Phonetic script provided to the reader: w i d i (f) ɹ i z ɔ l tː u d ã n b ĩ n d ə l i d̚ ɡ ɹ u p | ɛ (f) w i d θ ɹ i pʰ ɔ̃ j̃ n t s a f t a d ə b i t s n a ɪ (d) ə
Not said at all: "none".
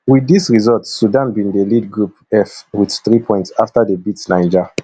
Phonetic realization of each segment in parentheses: s, f, d͡ʒ

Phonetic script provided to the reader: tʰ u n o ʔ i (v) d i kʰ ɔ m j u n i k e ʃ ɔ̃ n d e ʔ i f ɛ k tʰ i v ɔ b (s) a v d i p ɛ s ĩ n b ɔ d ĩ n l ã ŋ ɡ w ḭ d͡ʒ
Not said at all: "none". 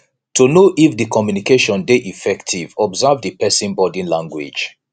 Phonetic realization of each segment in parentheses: f, z

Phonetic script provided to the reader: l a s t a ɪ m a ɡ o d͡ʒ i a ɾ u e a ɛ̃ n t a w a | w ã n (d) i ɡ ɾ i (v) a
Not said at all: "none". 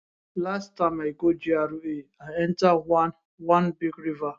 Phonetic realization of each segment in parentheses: b, v

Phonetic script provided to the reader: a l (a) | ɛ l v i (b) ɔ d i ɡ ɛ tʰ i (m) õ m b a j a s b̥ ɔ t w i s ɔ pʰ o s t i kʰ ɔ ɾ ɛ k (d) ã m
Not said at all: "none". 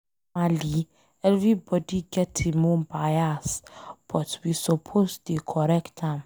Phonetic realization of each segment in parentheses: i, b, m, t

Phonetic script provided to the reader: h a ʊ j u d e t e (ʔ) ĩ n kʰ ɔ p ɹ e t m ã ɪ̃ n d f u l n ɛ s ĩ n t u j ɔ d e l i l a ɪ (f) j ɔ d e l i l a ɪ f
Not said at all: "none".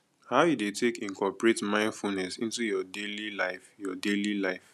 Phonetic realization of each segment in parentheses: k, f

